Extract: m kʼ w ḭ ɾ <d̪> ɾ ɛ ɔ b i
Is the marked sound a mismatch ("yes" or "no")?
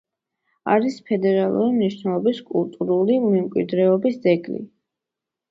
no